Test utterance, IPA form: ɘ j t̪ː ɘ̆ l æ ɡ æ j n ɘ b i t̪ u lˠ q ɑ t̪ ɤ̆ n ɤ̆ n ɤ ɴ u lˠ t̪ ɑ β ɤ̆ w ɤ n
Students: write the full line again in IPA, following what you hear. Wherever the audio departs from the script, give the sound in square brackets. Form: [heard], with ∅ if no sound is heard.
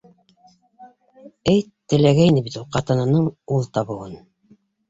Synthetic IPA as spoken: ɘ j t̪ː ɘ̆ l æ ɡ æ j n ɘ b i t̪ u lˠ q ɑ t̪ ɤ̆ n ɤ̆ n ɤ ɴ u lˠ t̪ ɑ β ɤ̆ w ɤ n